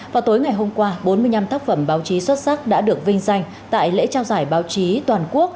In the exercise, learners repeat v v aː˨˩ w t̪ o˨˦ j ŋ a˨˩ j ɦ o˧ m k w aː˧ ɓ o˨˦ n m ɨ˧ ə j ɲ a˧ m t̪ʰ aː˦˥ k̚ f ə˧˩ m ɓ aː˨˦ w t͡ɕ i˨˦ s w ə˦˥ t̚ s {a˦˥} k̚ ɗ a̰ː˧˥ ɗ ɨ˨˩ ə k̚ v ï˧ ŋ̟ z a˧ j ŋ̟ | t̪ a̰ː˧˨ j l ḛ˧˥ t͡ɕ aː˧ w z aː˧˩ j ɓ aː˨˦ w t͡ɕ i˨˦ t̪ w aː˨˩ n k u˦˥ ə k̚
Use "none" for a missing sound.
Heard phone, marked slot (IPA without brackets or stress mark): a˦˥